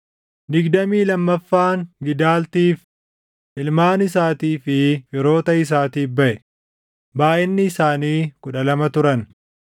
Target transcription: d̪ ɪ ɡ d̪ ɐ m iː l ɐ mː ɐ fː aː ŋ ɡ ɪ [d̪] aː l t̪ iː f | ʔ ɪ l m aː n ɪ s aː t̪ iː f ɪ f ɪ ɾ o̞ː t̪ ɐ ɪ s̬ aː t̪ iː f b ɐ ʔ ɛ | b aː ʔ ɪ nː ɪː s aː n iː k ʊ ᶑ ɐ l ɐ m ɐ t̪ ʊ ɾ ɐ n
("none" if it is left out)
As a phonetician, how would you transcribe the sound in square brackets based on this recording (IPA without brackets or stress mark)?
d̪